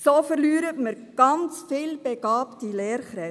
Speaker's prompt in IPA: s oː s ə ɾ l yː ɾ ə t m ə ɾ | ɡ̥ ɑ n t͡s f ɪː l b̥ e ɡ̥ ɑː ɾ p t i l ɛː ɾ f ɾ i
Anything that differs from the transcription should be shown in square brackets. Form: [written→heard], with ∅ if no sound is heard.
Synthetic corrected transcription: s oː [s→f] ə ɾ l yː ɾ ə t m ə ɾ | ɡ̥ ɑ n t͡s f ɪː l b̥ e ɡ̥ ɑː [ɾ→∅] p t i l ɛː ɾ [f→χ] ɾ [i→ɛ]